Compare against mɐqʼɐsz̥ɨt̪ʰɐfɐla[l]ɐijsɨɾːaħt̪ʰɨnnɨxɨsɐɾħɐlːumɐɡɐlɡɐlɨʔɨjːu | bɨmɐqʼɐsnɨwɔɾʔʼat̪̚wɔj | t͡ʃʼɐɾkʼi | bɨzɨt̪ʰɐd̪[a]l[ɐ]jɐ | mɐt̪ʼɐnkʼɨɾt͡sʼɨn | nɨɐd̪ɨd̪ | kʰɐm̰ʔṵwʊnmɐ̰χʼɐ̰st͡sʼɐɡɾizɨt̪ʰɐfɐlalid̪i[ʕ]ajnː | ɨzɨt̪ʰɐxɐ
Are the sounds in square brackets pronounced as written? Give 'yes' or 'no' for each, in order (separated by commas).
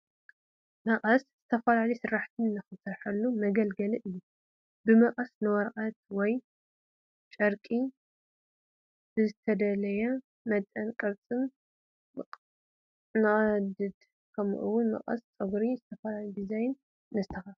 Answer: yes, no, yes, no